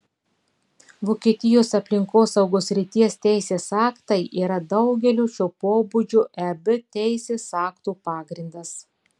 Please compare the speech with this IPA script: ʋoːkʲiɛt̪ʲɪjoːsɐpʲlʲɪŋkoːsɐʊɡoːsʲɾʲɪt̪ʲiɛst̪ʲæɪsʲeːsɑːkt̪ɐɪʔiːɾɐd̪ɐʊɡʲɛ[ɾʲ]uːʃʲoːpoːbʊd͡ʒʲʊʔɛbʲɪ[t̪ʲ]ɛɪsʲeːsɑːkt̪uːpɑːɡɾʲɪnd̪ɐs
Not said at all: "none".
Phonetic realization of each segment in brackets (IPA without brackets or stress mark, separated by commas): lʲ, t̪ʲ